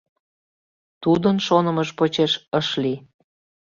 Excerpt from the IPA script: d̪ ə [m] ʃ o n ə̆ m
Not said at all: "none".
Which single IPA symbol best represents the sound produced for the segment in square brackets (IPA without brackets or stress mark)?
n